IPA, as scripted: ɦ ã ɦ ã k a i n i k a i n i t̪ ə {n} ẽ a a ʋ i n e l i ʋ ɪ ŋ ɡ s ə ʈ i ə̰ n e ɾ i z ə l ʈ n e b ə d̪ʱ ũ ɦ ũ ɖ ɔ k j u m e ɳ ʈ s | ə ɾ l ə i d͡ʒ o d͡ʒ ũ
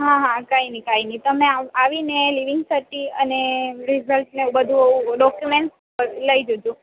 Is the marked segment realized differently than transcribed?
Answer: yes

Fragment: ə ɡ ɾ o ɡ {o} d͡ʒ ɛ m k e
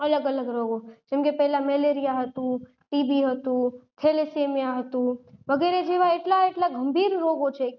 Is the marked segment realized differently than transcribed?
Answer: no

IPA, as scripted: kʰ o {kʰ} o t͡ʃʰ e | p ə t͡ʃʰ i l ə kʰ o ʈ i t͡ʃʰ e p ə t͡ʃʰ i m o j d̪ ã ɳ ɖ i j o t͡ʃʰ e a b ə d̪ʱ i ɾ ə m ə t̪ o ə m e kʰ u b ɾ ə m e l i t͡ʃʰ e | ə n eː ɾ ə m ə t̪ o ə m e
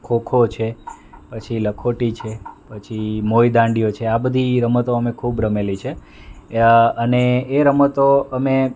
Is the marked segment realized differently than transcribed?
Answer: no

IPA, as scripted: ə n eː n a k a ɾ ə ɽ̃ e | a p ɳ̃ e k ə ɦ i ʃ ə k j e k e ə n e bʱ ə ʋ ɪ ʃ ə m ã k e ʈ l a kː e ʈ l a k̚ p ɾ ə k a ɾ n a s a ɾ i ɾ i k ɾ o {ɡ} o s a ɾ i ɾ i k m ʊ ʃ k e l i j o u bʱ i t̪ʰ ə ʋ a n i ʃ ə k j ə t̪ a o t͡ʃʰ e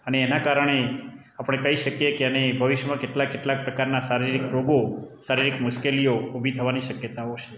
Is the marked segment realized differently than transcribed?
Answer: no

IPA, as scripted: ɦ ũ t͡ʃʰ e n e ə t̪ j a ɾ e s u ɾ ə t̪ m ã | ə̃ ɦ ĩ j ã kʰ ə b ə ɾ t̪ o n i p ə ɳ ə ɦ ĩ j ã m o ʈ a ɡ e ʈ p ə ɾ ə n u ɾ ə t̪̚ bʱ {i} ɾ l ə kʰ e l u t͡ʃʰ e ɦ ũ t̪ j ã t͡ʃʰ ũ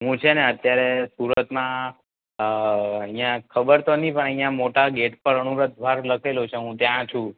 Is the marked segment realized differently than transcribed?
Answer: yes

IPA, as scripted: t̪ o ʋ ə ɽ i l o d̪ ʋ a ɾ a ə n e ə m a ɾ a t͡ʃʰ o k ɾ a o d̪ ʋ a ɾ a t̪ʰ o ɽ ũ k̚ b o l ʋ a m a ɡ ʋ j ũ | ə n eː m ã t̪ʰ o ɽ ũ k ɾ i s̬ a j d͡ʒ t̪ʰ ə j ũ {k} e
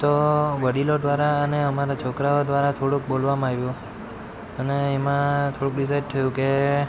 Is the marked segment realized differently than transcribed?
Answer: no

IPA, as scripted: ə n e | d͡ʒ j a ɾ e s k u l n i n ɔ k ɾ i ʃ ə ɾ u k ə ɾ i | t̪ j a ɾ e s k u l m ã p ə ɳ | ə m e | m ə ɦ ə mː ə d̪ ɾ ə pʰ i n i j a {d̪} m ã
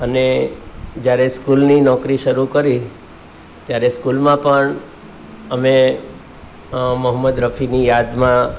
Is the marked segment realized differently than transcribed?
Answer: no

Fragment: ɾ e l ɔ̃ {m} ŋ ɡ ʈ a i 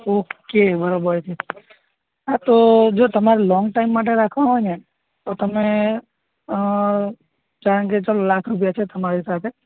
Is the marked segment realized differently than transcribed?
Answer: yes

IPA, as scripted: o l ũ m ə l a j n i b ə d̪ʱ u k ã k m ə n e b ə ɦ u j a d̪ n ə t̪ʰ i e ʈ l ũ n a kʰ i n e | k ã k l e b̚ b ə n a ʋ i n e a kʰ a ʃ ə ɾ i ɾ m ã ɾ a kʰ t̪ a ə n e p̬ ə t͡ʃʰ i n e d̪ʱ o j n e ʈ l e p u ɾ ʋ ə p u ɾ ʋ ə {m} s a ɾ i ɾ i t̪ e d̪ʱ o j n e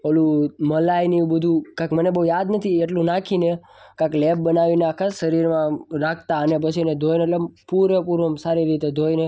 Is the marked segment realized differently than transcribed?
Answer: no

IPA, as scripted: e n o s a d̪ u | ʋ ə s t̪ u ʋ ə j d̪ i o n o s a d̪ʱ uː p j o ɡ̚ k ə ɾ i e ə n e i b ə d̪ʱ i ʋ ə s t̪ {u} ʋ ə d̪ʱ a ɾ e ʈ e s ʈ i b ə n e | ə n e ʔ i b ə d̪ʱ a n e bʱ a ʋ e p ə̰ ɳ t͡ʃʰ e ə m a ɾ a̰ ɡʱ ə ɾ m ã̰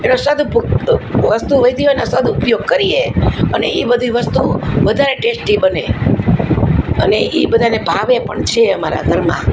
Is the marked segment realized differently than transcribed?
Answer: no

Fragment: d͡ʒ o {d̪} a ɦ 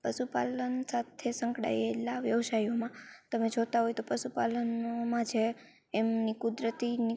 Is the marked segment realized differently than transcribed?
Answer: yes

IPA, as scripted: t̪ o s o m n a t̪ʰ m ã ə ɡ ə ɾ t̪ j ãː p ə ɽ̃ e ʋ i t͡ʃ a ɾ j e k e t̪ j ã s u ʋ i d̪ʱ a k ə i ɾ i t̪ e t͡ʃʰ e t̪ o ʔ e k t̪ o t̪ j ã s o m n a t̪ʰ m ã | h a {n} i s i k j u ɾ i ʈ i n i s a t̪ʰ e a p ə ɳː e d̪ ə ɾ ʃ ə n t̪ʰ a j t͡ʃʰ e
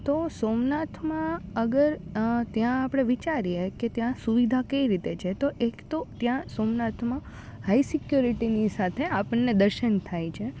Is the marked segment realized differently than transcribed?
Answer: yes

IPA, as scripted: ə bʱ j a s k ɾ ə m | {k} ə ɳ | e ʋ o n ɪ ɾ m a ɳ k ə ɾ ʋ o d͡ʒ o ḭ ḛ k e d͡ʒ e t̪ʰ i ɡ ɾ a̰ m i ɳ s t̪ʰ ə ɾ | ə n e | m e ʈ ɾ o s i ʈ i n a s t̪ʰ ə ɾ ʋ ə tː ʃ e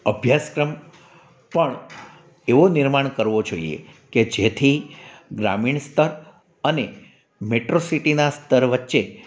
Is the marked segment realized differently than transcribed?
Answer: yes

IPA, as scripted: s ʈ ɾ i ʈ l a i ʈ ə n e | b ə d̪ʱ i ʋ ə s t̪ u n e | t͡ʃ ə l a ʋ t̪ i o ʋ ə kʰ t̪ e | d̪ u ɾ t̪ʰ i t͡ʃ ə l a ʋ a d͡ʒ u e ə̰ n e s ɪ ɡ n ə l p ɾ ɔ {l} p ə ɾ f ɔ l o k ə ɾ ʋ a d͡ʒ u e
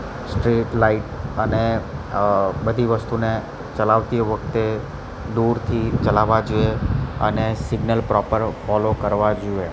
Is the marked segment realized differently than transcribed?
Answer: yes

